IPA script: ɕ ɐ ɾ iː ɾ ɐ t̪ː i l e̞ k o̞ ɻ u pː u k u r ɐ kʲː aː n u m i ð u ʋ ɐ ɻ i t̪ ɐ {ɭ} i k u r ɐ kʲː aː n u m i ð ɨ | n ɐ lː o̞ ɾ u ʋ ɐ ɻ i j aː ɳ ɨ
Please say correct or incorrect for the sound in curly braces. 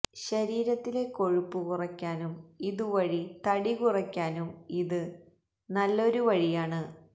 incorrect